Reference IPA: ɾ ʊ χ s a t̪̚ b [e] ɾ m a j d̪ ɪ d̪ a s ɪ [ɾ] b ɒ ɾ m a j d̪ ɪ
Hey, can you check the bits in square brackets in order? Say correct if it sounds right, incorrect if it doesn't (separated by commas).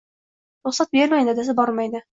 correct, incorrect